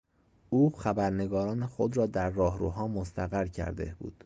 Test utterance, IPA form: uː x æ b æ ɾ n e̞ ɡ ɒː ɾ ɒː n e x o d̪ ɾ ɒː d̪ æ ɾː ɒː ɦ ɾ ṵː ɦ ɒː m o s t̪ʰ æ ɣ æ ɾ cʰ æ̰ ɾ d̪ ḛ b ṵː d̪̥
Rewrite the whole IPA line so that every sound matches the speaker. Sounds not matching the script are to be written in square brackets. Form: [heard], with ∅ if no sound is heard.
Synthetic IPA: uː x æ b æ ɾ n e̞ ɡ ɒː ɾ ɒː n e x o d̪ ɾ ɒː d̪ æ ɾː ɒː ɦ ɾ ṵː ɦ ɒː m o s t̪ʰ æ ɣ æ ɾ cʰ æ̰ ɾ d̪ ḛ b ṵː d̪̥